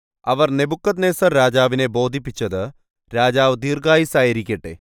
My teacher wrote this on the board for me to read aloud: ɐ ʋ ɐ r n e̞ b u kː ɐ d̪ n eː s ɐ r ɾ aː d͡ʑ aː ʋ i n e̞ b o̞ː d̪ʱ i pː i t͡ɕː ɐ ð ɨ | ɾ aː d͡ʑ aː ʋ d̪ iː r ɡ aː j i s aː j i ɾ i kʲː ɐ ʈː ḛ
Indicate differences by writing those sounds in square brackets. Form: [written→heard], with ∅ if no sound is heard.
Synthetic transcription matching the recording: ɐ ʋ ɐ r n e̞ b u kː ɐ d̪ n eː s ɐ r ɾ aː d͡ʑ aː ʋ i n e̞ b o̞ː d̪ʱ i pː i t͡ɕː ɐ ð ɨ | ɾ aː d͡ʑ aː ʋ d̪ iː r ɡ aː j i s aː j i ɾ i kʲː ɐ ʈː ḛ